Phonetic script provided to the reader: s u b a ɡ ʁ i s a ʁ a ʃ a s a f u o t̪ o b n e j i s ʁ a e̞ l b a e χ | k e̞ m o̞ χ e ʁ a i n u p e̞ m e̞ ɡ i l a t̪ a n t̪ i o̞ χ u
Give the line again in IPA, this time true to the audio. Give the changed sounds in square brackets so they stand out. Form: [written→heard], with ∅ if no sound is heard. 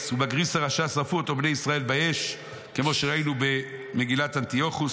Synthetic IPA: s u b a ɡ ʁ i s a ʁ a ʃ a s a f u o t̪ o b n e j i s ʁ a e̞ l b a e [χ→ʃ] | k e̞ m o̞ [χ→ʃ] e ʁ a i n u [p→b] e̞ m e̞ ɡ i l a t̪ a n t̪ i o̞ χ u